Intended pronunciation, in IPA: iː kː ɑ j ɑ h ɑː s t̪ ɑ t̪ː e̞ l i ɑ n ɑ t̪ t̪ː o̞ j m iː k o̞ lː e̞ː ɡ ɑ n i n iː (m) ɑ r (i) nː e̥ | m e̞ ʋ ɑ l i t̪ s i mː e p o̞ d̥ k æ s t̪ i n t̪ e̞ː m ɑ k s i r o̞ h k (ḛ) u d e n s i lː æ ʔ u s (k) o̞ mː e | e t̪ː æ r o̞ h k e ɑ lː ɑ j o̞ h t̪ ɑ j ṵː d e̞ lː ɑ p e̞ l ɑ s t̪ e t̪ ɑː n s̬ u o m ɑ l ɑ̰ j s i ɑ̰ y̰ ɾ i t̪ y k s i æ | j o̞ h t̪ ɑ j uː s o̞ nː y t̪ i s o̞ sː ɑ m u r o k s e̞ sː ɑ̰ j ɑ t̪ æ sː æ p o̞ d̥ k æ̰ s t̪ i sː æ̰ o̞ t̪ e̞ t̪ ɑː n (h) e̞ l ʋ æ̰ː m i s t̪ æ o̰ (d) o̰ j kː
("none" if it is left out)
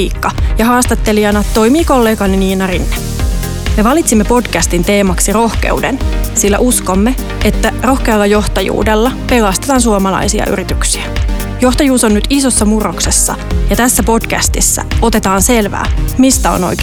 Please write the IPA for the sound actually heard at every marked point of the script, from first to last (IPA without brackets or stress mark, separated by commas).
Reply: n, i, ḛ, k, s, n